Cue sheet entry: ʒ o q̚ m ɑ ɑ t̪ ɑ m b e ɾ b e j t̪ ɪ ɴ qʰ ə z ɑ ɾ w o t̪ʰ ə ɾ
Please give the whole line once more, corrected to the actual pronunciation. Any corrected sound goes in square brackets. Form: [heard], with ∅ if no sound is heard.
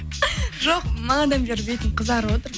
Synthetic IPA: ʒ o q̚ m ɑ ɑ [d̪] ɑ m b e ɾ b e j t̪ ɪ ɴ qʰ ə z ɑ ɾ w o [t̪] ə ɾ